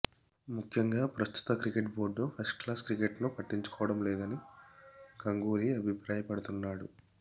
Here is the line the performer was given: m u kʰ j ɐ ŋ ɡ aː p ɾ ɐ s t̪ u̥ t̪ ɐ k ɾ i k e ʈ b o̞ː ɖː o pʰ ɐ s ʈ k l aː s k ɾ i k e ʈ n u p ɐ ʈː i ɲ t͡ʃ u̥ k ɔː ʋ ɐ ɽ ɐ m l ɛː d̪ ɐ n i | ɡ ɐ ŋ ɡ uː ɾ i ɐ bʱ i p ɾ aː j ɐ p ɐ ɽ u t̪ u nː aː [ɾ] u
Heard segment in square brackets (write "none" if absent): ɽ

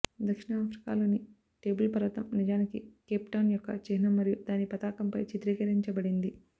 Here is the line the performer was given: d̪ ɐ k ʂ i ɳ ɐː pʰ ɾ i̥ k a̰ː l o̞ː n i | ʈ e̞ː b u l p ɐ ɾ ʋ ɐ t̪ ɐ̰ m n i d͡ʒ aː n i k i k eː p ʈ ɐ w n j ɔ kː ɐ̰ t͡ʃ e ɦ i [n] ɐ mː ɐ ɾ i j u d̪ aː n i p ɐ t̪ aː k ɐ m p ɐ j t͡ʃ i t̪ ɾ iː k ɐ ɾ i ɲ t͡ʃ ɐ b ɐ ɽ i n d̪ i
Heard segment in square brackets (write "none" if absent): n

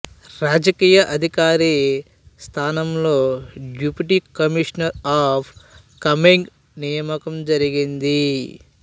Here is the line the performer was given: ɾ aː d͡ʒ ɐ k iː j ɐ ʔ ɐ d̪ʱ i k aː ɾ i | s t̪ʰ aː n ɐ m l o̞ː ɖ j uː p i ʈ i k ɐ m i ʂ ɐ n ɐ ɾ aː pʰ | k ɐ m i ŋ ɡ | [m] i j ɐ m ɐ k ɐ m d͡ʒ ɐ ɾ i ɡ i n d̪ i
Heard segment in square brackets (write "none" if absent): n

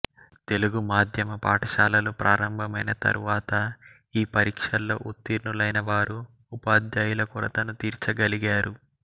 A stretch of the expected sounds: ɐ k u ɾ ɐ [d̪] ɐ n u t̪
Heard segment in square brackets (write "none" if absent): t̪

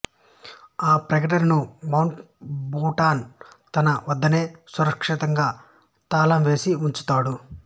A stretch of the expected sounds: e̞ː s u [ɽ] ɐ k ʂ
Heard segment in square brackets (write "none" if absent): ɾ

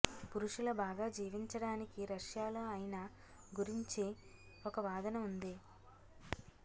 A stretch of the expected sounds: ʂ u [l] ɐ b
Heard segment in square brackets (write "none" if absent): l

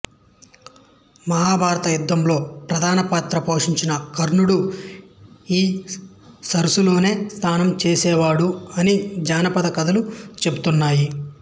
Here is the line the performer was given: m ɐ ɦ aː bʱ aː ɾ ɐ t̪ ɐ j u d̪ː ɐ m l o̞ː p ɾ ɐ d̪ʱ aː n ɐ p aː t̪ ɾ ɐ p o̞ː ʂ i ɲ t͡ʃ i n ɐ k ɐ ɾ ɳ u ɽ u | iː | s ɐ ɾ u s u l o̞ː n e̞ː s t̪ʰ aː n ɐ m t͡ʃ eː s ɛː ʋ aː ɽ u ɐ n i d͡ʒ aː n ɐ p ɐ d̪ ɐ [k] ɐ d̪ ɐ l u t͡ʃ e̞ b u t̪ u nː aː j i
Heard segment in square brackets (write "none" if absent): k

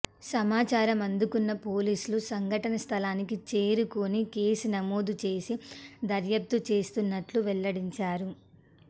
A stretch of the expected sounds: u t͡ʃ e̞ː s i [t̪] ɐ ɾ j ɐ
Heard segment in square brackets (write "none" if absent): d̪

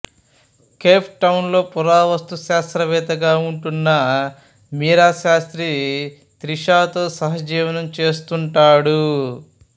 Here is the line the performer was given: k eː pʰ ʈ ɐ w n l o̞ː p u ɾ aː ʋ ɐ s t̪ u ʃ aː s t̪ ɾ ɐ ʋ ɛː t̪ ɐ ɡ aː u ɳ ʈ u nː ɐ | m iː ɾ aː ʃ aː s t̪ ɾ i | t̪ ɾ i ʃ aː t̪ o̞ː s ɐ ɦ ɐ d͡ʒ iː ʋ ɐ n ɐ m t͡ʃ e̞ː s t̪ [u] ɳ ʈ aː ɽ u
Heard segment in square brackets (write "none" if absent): u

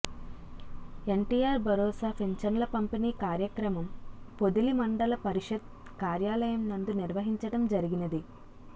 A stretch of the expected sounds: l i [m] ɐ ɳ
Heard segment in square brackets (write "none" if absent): m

